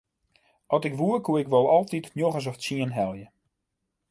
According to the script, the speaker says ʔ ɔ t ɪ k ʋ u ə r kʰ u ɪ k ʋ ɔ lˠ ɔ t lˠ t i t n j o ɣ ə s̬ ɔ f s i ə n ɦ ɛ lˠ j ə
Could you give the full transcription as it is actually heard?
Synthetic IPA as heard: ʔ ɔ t ɪ k ʋ u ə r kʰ u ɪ k ʋ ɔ lˠ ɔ lˠ t i t n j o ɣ ə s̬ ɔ f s i ə n ɦ ɛ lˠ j ə